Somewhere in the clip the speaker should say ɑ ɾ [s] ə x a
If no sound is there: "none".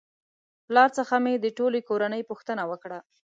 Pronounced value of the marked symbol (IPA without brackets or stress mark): t͡s